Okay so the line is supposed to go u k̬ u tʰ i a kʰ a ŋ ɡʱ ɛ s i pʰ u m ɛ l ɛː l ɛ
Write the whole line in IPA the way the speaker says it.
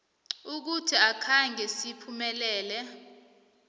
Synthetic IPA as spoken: u k̬ u tʰ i a kʰ a ŋ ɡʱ ɛ s i pʰ u m ɛ l ɛː l ɛ

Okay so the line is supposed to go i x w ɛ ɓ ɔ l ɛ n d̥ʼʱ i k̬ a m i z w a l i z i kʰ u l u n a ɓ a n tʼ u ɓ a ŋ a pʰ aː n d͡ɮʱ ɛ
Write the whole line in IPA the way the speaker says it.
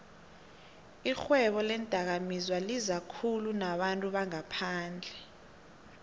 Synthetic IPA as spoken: i x w ɛ ɓ ɔ l ɛ n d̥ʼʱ a k̬ a m i z w a l i z a kʰ u l u n a ɓ a n tʼ u ɓ a ŋ a pʰ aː n d͡ɮʱ ɛ

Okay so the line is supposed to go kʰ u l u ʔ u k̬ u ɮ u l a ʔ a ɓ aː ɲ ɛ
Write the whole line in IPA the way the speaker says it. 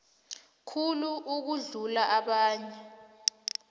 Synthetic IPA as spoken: kʰ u l u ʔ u k̬ u ɮ u l a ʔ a ɓ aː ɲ ɛ

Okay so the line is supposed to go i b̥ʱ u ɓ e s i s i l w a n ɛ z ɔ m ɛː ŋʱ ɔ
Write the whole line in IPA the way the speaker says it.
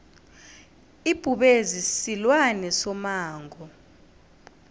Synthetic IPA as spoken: i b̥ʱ u ɓ e z i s i l w a n ɛ s ɔ m aː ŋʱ ɔ

